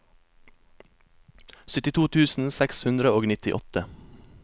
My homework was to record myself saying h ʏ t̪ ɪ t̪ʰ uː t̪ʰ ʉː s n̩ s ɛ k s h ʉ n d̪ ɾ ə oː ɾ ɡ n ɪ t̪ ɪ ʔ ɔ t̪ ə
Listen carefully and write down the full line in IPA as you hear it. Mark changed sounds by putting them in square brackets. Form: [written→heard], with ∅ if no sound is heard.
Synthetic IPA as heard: [h→s] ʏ t̪ ɪ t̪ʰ uː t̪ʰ ʉː s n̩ s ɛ k s h ʉ n d̪ ɾ ə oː [ɾ→∅] ɡ n ɪ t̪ ɪ ʔ ɔ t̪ ə